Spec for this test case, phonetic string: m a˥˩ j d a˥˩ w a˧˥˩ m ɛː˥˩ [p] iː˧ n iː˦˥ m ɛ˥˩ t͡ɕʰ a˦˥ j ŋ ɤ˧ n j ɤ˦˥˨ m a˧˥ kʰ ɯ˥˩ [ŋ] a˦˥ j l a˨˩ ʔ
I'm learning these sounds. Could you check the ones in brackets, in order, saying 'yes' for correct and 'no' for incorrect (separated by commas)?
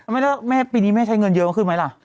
yes, no